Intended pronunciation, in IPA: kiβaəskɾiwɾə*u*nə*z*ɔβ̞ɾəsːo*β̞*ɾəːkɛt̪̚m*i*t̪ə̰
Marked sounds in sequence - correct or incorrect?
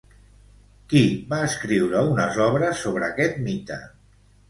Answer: correct, correct, correct, correct

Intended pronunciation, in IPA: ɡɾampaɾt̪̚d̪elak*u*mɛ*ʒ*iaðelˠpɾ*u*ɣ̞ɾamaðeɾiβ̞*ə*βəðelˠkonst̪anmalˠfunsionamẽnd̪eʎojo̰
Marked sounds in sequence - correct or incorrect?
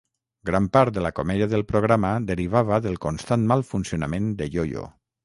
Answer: incorrect: o, incorrect: ð, incorrect: o, incorrect: a

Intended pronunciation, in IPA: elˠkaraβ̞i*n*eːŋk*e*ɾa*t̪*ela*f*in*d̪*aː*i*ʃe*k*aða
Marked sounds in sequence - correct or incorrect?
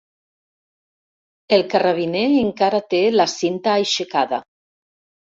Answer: correct, incorrect: a, correct, incorrect: s, incorrect: t̪, incorrect: j, correct

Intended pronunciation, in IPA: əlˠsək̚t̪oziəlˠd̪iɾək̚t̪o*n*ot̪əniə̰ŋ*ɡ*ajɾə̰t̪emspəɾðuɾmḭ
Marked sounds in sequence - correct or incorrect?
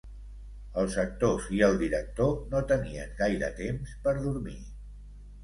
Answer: correct, correct

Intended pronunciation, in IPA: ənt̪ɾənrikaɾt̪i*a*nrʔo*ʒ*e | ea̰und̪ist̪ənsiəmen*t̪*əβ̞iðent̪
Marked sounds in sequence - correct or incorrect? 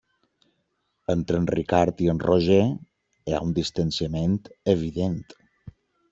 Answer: incorrect: ə, correct, correct

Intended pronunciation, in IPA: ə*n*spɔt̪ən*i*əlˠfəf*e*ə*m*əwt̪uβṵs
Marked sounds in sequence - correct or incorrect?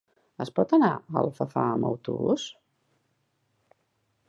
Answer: incorrect: none, incorrect: a, incorrect: a, correct

